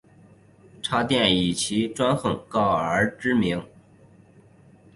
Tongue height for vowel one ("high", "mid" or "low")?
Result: low